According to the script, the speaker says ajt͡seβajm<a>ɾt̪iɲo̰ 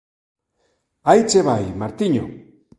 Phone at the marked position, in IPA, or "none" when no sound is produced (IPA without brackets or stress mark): a